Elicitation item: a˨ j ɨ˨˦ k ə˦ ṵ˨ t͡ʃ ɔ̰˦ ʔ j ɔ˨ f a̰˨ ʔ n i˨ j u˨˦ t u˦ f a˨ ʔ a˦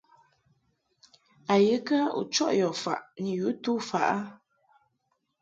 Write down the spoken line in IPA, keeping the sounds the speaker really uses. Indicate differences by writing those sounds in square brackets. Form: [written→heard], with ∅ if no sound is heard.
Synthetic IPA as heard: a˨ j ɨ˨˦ k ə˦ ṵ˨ t͡ʃ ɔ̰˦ ʔ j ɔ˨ f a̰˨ ʔ n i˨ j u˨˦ t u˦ f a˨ ʔ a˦